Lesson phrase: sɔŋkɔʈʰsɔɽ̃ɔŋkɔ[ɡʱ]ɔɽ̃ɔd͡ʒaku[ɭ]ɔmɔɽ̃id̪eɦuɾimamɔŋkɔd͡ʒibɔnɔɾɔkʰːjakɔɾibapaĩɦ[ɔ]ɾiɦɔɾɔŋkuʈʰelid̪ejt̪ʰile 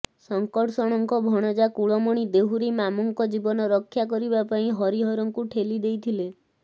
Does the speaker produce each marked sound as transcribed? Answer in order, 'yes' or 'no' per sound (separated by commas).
no, yes, yes